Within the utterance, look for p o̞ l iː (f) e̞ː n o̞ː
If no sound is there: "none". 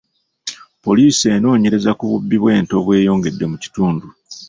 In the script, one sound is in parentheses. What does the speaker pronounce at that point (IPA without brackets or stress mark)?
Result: s